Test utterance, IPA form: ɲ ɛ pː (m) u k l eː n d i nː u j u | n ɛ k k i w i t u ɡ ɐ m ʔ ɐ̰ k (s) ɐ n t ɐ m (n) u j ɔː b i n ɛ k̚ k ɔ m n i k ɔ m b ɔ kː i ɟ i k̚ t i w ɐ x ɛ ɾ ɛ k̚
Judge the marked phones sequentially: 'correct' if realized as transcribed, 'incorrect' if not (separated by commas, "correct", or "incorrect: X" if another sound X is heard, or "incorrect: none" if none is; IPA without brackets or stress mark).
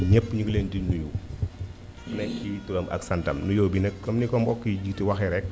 incorrect: ɲ, correct, correct